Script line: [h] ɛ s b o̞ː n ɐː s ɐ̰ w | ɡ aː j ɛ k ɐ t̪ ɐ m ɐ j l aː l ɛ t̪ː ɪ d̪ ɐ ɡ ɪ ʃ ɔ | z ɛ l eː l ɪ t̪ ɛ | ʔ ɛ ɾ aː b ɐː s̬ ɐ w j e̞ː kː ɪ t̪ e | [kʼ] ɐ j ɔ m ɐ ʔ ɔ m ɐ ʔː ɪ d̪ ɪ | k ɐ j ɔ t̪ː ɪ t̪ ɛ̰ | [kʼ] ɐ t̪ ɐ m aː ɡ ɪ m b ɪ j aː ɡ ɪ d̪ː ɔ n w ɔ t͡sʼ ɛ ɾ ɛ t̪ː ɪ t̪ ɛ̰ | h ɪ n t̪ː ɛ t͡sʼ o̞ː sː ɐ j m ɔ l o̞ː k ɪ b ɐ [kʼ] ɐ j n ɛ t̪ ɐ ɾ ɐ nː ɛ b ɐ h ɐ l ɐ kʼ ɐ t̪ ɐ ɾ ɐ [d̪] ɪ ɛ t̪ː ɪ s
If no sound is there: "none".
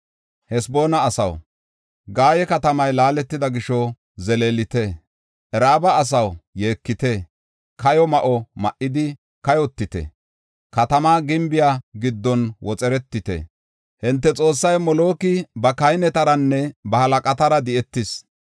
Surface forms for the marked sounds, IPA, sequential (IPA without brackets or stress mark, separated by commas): h, k, k, k, d̪